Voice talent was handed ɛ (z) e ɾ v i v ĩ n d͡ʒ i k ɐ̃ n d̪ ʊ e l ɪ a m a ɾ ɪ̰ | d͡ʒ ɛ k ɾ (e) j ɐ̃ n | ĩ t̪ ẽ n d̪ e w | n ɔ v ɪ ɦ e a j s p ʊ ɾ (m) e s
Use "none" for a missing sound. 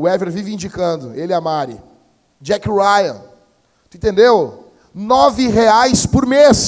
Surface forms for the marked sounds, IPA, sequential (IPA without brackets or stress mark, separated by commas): v, a, m